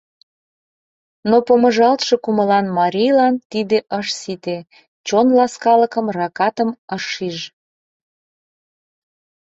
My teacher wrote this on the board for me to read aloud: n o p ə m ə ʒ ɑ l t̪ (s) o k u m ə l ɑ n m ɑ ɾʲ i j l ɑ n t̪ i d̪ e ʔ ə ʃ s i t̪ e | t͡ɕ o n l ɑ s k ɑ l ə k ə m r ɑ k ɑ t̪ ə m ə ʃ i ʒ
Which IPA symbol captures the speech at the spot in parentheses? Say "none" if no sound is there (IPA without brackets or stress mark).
ʃ